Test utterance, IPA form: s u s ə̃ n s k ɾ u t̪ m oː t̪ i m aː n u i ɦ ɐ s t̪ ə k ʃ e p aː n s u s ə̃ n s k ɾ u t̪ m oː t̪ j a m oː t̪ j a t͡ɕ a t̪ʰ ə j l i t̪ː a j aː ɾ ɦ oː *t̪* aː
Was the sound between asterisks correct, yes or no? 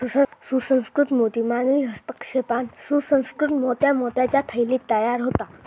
yes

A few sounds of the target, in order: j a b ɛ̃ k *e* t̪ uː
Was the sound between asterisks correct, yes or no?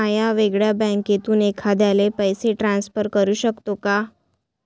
yes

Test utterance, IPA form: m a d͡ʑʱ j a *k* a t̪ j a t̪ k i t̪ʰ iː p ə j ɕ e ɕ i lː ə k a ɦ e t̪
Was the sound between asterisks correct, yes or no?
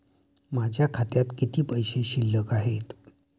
no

